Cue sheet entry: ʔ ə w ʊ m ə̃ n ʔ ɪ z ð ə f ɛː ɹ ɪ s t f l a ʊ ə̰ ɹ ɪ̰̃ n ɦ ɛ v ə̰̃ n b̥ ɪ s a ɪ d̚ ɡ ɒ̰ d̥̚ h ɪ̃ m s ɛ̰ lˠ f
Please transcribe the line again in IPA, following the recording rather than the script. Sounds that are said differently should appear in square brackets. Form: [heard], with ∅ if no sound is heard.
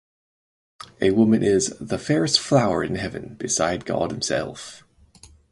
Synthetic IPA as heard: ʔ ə w ʊ m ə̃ n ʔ ɪ z ð ə f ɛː ɹ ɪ s t f l a ʊ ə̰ ɹ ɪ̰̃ n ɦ ɛ v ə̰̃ n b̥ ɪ s a ɪ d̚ ɡ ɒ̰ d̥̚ h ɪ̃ m s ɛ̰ lˠ f